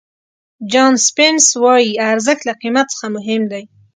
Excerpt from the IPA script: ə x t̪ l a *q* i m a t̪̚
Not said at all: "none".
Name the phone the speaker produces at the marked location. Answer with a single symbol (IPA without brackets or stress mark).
q